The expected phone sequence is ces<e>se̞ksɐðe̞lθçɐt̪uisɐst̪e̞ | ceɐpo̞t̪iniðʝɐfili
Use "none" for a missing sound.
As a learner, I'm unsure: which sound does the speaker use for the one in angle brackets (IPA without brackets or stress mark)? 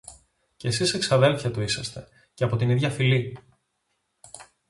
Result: i